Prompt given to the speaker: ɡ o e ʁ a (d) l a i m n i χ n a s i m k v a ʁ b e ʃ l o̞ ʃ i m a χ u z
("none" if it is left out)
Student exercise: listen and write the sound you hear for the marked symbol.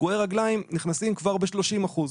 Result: ɡ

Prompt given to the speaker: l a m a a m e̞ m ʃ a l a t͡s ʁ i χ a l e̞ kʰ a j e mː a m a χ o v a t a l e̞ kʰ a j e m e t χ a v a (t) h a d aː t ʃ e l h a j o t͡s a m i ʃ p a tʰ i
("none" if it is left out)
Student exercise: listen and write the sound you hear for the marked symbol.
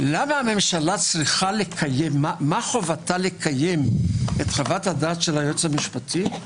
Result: t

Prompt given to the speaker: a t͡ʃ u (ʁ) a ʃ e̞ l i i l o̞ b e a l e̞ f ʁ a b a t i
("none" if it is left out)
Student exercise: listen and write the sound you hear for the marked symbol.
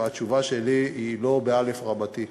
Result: v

